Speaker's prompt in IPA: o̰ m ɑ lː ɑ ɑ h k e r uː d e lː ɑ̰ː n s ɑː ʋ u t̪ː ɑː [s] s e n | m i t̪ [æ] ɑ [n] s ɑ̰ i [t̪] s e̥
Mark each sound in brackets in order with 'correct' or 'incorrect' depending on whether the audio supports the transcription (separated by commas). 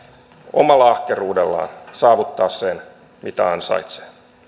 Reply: correct, correct, correct, correct